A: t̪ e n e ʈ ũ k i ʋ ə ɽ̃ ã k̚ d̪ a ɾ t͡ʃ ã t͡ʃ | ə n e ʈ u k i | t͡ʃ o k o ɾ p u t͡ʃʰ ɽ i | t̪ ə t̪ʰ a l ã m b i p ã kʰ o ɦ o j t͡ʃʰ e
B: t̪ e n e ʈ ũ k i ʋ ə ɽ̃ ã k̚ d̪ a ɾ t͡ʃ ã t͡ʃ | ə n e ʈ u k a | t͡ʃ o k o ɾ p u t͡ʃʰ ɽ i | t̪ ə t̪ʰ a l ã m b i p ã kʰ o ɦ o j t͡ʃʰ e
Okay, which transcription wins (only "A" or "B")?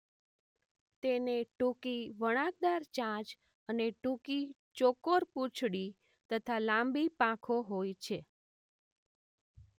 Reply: A